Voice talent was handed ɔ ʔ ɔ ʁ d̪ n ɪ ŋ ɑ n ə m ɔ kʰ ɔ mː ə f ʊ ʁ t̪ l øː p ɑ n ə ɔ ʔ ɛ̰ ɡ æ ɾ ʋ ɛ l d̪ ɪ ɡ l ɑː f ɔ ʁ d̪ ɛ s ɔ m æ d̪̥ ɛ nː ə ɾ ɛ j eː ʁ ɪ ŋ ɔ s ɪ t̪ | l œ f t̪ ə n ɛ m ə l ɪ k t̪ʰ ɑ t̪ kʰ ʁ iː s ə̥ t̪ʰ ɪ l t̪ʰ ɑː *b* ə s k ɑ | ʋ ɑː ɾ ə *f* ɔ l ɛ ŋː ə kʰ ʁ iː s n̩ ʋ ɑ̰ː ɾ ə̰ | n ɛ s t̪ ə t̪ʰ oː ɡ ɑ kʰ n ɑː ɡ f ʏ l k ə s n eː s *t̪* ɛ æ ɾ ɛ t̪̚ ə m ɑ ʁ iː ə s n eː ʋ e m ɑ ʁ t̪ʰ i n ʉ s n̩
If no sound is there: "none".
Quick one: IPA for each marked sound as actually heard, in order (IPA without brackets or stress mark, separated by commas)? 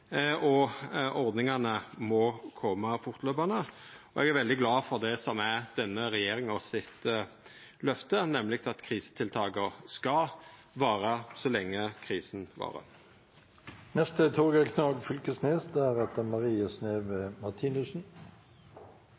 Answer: ɡ, s, d̪